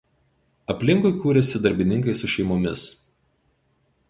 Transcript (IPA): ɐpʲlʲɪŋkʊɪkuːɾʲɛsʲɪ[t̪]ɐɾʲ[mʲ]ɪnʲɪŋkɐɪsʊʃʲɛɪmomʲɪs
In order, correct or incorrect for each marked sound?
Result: incorrect: d̪, incorrect: bʲ

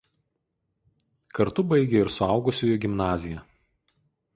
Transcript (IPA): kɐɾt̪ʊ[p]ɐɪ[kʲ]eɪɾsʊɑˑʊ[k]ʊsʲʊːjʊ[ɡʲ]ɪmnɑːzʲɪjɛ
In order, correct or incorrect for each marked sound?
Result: incorrect: b, incorrect: ɡʲ, incorrect: ɡ, correct

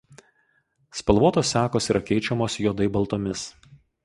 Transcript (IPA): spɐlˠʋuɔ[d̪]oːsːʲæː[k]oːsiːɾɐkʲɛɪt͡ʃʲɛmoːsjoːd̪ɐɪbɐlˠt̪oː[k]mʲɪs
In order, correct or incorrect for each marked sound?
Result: incorrect: t̪, correct, incorrect: none

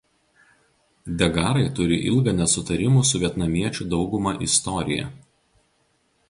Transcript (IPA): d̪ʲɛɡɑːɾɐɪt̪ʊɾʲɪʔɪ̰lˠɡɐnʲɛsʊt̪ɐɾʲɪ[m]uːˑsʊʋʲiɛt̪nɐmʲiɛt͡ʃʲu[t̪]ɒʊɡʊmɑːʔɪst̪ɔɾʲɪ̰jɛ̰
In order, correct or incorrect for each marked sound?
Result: correct, incorrect: d̪

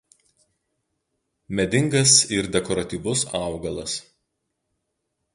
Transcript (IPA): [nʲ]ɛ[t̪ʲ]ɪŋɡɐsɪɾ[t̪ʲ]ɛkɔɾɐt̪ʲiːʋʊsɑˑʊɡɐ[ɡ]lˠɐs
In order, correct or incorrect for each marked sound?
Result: incorrect: mʲ, incorrect: d̪ʲ, incorrect: d̪ʲ, incorrect: none

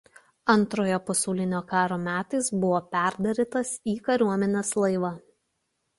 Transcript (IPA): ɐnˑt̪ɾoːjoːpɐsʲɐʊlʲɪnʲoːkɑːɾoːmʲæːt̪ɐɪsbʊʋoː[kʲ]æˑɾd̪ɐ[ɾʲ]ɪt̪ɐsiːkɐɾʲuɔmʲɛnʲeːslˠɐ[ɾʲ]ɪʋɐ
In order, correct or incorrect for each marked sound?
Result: incorrect: pʲ, correct, incorrect: none

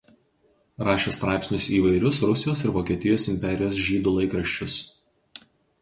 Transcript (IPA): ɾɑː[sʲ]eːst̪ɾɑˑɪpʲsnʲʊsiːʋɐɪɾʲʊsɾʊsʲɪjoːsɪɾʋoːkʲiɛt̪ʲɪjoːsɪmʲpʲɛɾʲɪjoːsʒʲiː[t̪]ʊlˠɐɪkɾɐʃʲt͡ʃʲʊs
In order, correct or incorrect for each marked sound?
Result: incorrect: ʃʲ, incorrect: d̪

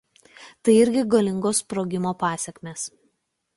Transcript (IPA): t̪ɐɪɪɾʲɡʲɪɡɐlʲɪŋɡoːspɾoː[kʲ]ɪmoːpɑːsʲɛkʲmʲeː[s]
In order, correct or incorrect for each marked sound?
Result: incorrect: ɡʲ, correct

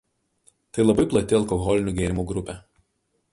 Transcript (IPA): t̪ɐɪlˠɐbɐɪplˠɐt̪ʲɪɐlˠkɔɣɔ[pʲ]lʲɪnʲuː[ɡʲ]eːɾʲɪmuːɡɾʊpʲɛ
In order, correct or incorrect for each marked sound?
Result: incorrect: none, correct

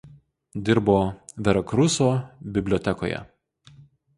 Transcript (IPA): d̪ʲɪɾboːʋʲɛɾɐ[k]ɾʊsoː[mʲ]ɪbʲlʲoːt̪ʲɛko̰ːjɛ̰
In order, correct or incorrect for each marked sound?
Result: correct, incorrect: bʲ

